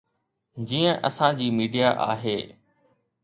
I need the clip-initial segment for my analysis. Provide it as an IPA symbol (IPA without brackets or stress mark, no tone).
d͡ʑ